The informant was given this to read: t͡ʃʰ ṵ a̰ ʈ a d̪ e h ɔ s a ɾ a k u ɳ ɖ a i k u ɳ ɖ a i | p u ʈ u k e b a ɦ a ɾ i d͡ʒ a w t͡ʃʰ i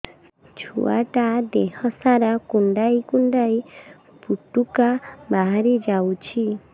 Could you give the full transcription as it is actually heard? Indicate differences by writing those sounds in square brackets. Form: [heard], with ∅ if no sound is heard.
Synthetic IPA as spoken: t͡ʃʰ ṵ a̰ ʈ a d̪ e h ɔ s a ɾ a k u ɳ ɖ a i k u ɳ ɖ a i | p u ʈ u k [a] b a ɦ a ɾ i d͡ʒ a w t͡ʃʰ i